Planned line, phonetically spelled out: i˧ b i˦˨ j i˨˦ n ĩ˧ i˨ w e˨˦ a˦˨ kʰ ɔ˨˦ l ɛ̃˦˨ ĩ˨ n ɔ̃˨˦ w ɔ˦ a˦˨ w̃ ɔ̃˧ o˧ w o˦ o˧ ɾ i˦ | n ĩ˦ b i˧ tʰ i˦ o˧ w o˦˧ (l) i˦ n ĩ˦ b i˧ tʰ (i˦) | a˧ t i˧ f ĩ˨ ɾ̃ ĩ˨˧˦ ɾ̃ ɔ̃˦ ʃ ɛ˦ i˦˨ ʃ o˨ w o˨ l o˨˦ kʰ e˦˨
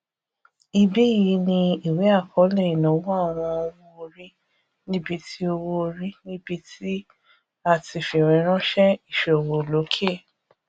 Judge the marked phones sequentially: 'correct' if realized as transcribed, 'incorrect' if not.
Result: incorrect, correct

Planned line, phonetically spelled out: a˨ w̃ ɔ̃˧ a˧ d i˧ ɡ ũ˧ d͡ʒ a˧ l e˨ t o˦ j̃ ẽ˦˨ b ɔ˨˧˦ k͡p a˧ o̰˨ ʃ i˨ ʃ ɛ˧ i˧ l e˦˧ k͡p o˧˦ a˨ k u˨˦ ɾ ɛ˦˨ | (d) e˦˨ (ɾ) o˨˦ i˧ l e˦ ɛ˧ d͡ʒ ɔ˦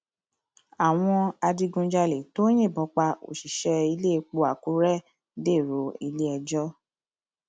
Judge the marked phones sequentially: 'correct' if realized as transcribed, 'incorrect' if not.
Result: correct, correct

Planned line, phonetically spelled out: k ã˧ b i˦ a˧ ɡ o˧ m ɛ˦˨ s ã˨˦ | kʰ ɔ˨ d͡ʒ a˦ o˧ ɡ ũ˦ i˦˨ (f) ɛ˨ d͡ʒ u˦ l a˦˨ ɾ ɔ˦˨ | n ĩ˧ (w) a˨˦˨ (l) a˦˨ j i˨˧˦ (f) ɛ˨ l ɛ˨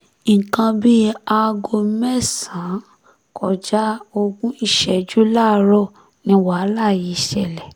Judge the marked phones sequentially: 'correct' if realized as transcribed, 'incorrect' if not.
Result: incorrect, correct, correct, incorrect

